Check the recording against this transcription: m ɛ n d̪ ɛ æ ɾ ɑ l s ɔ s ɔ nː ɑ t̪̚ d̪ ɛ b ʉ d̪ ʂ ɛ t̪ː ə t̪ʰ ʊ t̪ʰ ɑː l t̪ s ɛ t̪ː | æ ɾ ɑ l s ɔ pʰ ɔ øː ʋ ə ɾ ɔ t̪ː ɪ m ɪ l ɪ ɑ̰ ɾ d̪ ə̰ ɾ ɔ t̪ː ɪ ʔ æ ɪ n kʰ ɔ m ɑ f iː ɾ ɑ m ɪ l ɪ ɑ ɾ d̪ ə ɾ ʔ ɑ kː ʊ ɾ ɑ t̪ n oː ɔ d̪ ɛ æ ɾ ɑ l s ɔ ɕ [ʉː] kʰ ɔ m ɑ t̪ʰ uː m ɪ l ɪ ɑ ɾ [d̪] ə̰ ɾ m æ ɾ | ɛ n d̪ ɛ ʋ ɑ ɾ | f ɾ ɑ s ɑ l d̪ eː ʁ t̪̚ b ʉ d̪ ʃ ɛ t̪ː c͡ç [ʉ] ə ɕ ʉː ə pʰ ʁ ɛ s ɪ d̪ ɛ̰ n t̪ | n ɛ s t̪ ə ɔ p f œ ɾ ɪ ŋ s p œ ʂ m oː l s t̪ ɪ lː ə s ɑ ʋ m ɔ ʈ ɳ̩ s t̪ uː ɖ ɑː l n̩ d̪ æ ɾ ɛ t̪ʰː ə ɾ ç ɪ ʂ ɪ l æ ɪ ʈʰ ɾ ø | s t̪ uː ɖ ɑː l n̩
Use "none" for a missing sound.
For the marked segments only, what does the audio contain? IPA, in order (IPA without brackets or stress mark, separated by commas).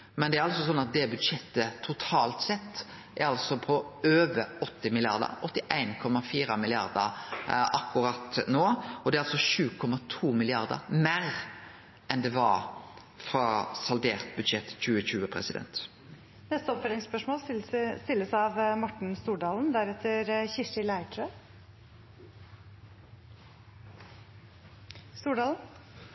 ʉː, d̪, ʉː